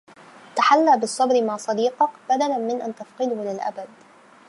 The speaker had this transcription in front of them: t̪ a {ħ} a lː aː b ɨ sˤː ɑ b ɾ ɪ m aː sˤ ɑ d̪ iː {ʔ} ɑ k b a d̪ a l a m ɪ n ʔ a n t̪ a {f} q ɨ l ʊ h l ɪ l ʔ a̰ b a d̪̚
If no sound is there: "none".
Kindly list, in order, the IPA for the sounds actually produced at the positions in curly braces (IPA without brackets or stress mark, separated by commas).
ħ, q, f